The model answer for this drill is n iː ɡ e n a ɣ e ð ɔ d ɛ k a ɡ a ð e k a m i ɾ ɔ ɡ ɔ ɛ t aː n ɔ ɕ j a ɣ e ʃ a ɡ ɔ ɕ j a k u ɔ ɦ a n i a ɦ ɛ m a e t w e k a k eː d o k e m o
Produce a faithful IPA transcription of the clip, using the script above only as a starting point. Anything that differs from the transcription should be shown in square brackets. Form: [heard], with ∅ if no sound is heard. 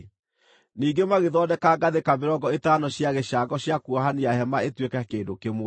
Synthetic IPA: n iː ɡ e [m] a ɣ e ð ɔ d ɛ k a ɡ a ð e k a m [e] ɾ ɔ ɡ ɔ [e] t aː n ɔ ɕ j a ɣ e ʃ a ɡ ɔ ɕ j a k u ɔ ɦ a n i a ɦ ɛ m a e t w e k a k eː d o k e m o